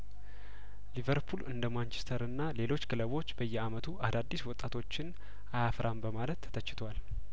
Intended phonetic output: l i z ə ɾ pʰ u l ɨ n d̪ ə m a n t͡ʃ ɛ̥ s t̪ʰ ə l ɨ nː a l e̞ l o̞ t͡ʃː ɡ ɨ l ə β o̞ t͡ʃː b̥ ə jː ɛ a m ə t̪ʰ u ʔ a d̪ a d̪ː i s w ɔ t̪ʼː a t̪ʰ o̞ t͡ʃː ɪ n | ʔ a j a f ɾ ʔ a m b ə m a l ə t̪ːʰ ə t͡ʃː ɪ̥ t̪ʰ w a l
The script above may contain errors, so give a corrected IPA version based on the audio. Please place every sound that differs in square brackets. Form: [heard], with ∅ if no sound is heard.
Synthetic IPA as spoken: l i [v] ə ɾ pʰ u l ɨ n d̪ ə m a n t͡ʃ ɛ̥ s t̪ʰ ə [ɾ] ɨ nː a l e̞ l o̞ t͡ʃː ɡ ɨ l ə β o̞ t͡ʃː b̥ ə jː ɛ a m ə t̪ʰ u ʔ a d̪ a d̪ː i s w ɔ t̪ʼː a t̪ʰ o̞ t͡ʃː ɪ n | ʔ a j a f ɾ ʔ a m b ə m a l ə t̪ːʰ ə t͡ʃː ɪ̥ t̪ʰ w a l